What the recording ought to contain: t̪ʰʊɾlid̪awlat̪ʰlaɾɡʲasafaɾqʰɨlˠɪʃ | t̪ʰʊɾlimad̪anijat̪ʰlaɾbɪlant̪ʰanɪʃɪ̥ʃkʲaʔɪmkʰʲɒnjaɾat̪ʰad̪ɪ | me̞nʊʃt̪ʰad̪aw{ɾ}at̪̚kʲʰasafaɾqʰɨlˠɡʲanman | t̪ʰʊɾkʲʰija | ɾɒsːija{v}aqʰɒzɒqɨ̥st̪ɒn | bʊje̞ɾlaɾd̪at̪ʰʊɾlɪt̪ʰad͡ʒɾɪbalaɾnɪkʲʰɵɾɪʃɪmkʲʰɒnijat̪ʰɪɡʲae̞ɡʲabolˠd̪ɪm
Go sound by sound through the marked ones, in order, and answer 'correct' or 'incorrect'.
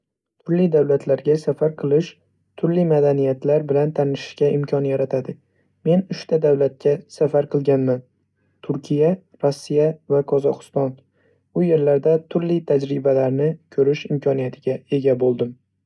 incorrect: l, correct

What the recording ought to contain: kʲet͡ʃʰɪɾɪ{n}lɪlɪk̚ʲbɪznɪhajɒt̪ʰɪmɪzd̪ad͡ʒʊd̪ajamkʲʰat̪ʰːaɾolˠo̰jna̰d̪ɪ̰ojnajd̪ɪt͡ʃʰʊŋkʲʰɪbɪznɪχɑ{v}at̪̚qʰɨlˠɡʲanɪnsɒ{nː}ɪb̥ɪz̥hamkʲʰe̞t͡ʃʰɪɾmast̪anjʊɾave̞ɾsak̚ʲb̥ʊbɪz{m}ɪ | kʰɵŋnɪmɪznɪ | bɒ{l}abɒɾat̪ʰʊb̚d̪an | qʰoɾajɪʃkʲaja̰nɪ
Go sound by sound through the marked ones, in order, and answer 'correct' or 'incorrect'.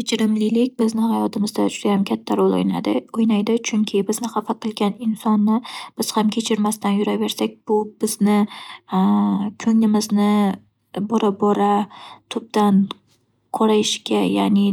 incorrect: m, incorrect: f, correct, incorrect: n, incorrect: ɾ

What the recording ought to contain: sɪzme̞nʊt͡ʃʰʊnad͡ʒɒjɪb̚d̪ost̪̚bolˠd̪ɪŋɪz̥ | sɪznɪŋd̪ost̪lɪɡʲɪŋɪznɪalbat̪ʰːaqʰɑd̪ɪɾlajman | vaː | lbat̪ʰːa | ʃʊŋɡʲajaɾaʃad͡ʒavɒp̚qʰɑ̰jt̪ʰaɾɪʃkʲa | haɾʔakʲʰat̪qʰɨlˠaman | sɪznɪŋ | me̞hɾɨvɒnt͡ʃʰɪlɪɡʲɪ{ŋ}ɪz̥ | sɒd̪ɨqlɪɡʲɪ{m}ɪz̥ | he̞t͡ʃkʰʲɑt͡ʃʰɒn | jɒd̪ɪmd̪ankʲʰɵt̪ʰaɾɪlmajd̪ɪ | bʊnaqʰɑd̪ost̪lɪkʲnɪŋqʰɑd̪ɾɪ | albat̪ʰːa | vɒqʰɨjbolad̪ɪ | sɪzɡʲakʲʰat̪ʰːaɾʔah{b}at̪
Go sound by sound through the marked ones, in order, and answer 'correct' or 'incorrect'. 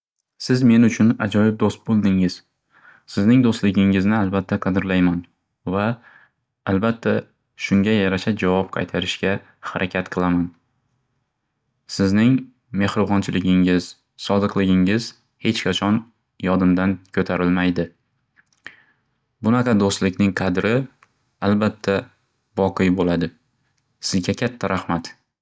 correct, incorrect: ŋ, incorrect: m

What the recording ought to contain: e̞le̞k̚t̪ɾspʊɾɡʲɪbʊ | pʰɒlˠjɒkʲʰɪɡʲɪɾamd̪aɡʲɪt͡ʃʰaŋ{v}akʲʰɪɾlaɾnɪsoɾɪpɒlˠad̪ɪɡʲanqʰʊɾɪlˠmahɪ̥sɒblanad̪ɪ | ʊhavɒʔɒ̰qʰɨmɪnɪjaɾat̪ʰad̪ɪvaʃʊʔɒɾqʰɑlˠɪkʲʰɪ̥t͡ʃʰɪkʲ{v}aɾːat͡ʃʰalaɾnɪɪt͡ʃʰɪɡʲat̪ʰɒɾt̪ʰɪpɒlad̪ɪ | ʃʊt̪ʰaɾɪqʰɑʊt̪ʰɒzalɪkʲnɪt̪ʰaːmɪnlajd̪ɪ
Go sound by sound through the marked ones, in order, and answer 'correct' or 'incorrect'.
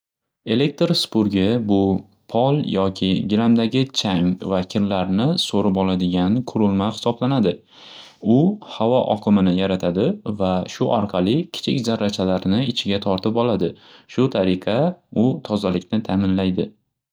correct, incorrect: z

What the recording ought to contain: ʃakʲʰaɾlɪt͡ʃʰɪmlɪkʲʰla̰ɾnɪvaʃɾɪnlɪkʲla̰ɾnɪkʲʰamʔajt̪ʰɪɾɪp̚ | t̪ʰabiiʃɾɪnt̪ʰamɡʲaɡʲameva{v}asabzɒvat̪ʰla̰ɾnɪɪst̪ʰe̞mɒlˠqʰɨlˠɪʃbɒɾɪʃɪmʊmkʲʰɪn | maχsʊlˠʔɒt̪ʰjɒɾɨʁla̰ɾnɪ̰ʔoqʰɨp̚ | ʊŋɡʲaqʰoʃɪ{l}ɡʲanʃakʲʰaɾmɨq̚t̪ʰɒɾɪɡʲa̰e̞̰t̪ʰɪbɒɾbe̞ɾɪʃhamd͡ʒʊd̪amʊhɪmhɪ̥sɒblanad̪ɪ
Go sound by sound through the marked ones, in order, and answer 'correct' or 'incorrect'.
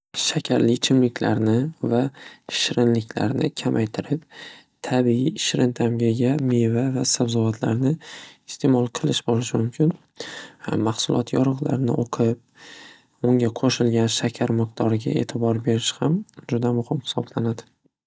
correct, correct

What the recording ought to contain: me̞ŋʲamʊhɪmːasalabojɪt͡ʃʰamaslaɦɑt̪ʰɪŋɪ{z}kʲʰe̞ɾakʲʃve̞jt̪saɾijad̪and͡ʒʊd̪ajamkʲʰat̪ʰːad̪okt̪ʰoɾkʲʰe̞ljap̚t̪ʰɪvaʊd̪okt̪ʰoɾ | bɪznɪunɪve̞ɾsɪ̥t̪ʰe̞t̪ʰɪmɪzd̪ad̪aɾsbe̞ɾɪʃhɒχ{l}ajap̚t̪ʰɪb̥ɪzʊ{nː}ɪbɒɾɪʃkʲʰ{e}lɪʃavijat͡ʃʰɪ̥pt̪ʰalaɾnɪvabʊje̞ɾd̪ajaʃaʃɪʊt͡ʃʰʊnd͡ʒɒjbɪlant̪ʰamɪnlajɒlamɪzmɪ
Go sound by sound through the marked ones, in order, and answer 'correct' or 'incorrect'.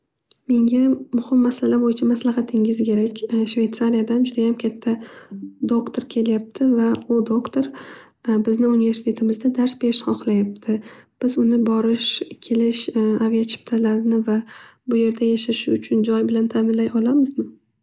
correct, correct, incorrect: n, correct

